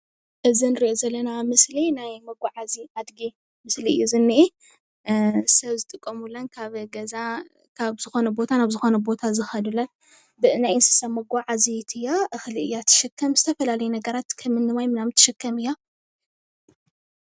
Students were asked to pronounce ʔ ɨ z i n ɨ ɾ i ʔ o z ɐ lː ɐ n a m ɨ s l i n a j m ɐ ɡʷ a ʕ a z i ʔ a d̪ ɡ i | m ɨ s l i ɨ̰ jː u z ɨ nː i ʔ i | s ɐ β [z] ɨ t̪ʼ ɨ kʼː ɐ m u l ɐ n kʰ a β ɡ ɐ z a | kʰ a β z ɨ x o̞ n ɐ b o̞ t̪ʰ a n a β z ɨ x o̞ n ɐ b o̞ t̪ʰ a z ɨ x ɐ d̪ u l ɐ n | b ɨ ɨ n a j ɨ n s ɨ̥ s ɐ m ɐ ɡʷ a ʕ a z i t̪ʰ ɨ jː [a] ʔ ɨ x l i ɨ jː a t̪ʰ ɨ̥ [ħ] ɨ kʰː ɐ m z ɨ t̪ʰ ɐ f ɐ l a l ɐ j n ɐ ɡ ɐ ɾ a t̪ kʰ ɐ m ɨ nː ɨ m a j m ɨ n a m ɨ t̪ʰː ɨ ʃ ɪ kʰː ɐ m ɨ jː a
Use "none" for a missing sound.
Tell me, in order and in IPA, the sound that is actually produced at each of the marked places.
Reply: z, a, ʃ

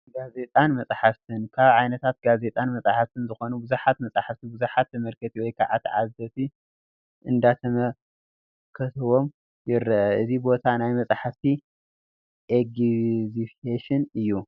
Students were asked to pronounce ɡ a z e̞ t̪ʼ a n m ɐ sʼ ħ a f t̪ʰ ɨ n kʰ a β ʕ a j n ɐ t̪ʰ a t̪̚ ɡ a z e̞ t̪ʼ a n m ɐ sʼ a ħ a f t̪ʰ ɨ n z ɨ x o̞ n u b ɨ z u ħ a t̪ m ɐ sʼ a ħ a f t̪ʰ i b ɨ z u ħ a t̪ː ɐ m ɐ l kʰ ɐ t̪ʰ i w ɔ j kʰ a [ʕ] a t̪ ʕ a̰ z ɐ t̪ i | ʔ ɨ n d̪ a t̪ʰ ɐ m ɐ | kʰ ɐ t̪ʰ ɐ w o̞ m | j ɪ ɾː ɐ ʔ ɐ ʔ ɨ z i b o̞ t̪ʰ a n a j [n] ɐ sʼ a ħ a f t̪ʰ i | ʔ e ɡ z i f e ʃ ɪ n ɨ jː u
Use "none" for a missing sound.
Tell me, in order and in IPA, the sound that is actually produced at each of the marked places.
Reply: ʕ, m

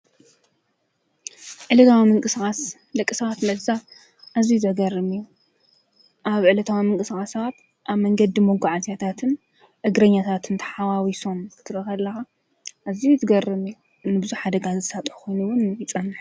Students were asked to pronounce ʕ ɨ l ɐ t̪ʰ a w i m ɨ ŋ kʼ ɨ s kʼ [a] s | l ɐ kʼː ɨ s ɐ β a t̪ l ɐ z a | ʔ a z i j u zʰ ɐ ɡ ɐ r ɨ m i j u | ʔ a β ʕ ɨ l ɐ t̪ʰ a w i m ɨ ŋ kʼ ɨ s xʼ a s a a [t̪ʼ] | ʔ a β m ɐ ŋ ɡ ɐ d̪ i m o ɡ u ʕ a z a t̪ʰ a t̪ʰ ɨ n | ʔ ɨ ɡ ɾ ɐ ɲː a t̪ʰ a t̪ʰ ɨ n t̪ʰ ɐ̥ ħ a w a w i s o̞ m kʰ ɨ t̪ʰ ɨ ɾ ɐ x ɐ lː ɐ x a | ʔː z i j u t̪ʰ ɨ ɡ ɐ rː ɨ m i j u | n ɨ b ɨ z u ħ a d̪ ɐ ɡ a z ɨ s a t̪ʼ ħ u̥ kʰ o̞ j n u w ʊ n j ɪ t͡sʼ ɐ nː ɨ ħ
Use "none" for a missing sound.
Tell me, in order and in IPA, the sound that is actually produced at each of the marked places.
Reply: a, t̪

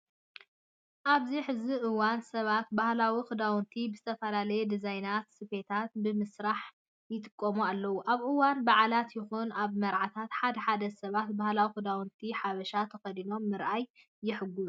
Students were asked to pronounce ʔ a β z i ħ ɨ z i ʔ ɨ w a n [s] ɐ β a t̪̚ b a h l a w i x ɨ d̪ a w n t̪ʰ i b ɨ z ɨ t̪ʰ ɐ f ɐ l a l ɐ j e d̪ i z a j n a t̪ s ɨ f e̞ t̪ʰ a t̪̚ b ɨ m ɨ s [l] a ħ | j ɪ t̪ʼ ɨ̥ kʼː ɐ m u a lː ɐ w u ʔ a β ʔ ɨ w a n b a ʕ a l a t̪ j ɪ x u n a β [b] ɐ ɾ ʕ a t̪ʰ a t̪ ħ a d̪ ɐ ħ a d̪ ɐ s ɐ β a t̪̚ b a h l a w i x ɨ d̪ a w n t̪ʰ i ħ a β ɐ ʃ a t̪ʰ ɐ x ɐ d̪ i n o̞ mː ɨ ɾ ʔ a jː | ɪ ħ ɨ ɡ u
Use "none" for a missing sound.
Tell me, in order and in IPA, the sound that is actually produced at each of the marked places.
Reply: s, ɾ, m

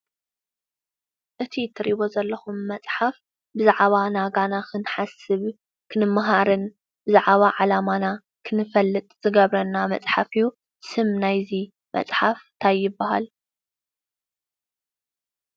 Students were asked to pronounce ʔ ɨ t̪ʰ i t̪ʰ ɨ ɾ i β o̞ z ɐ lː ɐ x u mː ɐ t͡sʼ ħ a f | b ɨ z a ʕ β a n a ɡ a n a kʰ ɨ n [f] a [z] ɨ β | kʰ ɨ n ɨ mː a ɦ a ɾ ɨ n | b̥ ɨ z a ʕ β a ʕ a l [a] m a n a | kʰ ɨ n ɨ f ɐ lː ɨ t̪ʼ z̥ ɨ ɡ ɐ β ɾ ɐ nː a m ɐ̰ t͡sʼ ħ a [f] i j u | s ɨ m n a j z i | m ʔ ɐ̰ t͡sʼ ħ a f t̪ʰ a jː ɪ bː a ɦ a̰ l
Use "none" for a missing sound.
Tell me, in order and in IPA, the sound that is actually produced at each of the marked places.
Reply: ħ, s, a, f

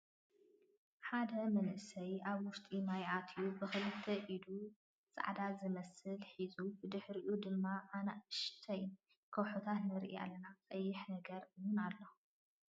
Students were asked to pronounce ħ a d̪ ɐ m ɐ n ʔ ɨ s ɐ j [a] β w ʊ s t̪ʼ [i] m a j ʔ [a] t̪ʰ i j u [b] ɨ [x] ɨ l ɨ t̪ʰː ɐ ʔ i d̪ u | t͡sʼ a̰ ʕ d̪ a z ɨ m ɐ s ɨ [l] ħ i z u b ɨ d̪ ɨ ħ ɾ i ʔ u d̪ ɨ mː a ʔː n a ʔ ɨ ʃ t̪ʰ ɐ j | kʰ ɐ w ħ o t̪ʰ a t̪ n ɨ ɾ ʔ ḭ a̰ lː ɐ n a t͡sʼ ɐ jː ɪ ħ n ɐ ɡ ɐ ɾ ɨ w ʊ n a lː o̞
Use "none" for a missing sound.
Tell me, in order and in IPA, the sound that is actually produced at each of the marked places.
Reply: a, i, a, b, x, l

